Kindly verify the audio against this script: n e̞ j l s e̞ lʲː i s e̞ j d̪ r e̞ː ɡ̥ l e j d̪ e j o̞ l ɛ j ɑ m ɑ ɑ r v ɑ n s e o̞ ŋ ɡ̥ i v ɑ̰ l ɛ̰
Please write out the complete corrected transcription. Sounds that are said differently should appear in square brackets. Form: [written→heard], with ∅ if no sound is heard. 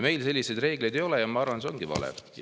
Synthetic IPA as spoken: [n→m] e̞ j l s e̞ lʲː i s e̞ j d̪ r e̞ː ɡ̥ l e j d̪ e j o̞ l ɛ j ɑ m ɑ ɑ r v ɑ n s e o̞ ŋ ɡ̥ i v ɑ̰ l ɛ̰